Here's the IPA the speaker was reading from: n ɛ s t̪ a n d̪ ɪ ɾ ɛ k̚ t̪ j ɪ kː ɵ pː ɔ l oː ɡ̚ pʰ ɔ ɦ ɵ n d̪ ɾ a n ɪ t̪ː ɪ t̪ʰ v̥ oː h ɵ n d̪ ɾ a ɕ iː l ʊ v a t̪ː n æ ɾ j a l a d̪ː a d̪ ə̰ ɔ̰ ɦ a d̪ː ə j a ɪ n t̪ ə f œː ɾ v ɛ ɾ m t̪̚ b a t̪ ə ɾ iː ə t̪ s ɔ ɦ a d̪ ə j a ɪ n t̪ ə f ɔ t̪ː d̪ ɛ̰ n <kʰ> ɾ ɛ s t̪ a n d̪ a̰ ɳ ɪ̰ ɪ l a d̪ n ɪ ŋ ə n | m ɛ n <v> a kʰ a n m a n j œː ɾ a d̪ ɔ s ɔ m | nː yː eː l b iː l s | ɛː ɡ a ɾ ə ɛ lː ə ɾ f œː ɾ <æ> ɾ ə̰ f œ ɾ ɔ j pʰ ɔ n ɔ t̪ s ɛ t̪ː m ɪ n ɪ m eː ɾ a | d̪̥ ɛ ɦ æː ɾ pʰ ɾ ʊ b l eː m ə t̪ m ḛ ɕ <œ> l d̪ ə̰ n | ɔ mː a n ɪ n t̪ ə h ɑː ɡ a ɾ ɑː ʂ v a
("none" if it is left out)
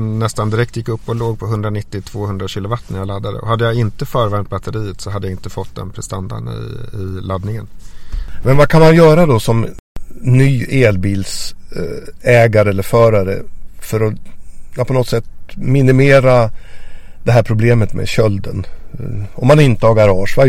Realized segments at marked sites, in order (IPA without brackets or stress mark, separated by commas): pʰ, v, a, œ